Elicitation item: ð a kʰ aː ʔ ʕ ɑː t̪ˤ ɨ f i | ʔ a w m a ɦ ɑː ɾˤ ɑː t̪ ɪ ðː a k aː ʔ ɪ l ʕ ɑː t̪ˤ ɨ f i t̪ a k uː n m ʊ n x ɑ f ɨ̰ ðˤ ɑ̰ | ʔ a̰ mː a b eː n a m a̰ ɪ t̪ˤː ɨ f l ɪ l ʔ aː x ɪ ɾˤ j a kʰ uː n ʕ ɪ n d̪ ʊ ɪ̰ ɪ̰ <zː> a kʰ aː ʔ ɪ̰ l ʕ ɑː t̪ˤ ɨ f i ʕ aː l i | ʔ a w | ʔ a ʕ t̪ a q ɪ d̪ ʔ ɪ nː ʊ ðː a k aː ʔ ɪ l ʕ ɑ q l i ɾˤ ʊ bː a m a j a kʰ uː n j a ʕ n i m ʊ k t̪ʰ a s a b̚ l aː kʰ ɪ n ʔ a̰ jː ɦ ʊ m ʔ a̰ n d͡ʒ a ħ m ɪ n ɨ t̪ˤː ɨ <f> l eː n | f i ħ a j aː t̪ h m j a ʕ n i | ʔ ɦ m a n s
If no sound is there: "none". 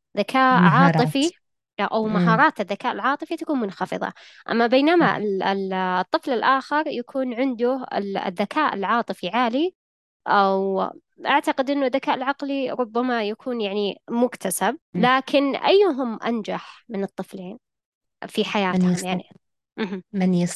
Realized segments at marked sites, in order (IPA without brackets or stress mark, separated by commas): ðː, f